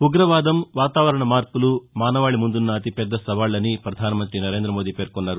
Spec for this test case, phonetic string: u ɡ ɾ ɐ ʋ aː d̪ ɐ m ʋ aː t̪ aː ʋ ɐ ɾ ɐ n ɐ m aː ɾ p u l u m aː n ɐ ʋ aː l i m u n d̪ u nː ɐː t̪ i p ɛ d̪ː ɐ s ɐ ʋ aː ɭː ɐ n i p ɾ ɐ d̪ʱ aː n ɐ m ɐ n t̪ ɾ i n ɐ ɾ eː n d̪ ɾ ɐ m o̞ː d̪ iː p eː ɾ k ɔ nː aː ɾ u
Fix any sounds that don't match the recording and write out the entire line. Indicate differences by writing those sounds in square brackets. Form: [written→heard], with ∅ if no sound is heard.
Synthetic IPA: u ɡ ɾ ɐ ʋ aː d̪ ɐ m ʋ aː t̪ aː ʋ ɐ ɾ ɐ [n→ɳ] ɐ m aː ɾ p u l u m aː n ɐ ʋ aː [l→ɭ] i m u n d̪ u nː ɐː t̪ i p ɛ d̪ː ɐ s ɐ ʋ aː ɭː ɐ n i p ɾ ɐ d̪ʱ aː n ɐ m ɐ n t̪ ɾ i n ɐ ɾ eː n d̪ ɾ ɐ m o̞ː d̪ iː p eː ɾ k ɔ nː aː ɾ u

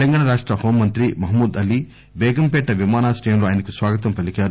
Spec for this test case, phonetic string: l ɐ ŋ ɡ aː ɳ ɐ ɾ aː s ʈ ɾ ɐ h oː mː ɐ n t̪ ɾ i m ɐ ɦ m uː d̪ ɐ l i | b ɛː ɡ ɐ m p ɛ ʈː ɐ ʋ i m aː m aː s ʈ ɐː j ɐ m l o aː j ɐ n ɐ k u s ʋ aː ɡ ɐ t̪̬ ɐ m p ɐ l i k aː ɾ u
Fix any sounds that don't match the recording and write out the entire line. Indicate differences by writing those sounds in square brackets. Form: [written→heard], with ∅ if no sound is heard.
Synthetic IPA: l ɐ ŋ ɡ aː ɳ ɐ ɾ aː [s→ʂ] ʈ ɾ ɐ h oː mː ɐ n t̪ ɾ i m ɐ ɦ m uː d̪ ɐ l i | b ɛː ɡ ɐ m p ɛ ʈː ɐ ʋ i m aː [m→n] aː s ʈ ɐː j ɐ m l o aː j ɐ n ɐ k u s ʋ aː ɡ ɐ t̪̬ ɐ m p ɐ l i k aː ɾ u

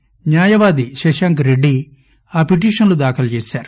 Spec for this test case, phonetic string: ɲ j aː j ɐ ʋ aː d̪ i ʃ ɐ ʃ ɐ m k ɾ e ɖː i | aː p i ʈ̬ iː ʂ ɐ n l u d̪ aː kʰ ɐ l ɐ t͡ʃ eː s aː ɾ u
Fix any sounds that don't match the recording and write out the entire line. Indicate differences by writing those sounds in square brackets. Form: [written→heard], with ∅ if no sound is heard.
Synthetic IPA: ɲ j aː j ɐ ʋ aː d̪ i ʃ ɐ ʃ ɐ [m→ŋ] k ɾ e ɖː i | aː p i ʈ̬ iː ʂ ɐ n l u d̪ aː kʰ ɐ l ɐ t͡ʃ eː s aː ɾ u

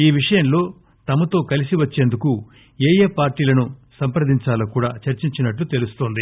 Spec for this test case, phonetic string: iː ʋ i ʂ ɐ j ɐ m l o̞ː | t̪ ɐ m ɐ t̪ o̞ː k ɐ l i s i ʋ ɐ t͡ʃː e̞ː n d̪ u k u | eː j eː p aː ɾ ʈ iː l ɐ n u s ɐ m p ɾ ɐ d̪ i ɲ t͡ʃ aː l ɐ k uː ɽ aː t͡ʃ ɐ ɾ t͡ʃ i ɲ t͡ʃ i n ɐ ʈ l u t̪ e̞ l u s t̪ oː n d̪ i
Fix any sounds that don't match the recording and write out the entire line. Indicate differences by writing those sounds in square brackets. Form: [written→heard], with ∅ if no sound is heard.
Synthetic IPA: iː ʋ i ʂ ɐ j ɐ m l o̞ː | t̪ ɐ m ɐ t̪ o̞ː k ɐ l i s i ʋ ɐ t͡ʃː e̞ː n d̪ u k u | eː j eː p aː ɾ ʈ iː l ɐ n u s ɐ m p ɾ ɐ d̪ i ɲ t͡ʃ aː l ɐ k uː ɽ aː t͡ʃ ɐ ɾ t͡ʃ i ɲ t͡ʃ i n ɐ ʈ l u t̪ e̞ l u s t̪ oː n d̪ i

